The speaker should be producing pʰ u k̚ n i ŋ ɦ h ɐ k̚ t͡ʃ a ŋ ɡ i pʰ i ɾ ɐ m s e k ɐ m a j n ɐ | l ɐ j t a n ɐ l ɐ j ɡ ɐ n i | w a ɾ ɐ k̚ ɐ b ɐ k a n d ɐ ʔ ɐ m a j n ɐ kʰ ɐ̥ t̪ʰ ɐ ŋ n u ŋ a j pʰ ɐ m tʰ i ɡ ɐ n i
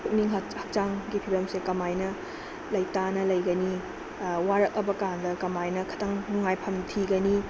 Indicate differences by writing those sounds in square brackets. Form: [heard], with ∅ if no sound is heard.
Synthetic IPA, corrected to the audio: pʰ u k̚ n i ŋ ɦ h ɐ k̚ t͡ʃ a ŋ ɡ i pʰ i ɾ ɐ m s e k ɐ m a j n ɐ | l ɐ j t a n ɐ l ɐ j ɡ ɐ n i | w a ɾ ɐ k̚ ɐ b ɐ k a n d ɐ [k] ɐ m a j n ɐ kʰ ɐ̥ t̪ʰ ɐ ŋ n u ŋ a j pʰ ɐ m tʰ i ɡ ɐ n i

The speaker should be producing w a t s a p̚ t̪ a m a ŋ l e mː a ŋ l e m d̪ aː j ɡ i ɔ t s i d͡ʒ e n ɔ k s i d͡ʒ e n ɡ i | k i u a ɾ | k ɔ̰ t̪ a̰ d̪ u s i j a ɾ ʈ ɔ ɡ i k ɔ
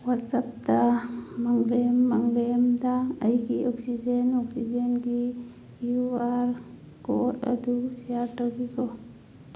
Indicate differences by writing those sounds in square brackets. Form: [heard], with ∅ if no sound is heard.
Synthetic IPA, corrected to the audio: w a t s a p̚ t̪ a m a ŋ l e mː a ŋ l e m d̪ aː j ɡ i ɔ [k] s i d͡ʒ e n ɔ k s i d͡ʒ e n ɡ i | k i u a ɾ | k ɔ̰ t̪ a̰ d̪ u s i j a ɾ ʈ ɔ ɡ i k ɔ

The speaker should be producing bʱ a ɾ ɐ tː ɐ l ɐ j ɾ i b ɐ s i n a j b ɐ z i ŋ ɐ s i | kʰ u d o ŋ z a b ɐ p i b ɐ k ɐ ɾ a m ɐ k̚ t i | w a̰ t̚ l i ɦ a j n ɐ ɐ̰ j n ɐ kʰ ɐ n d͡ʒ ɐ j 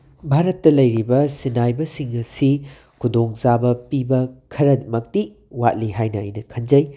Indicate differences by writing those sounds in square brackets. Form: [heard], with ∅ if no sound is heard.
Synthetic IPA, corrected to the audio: bʱ a ɾ ɐ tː ɐ l ɐ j ɾ i b ɐ s i n a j b ɐ [s] i ŋ ɐ s i | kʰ u d o ŋ z a b ɐ p i b ɐ [kʰ] ɐ ɾ [ɐ] m ɐ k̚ t i | w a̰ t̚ l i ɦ a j n ɐ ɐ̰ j n ɐ kʰ ɐ n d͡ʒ ɐ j

